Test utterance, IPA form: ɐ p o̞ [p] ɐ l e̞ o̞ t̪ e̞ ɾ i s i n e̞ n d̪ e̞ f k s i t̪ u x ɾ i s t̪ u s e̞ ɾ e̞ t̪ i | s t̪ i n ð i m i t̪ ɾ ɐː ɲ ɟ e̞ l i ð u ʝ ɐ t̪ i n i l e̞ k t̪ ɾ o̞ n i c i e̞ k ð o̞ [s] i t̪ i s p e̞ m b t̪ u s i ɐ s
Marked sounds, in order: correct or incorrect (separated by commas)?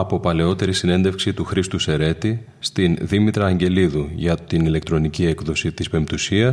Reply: correct, correct